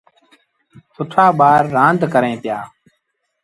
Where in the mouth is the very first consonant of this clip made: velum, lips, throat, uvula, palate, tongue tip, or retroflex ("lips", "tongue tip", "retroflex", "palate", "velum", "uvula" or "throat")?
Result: tongue tip